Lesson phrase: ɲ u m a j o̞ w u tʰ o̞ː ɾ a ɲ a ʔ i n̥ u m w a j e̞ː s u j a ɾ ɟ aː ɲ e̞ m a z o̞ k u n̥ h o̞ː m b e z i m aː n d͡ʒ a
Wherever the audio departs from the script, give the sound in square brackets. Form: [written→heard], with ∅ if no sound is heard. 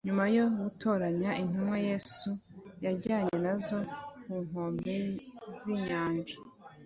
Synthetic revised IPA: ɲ u m a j o̞ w u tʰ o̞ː ɾ a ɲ a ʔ i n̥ u m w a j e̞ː s u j a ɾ ɟ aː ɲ e̞ [m→n] a z o̞ k u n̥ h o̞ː m b e z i [m→ɲ] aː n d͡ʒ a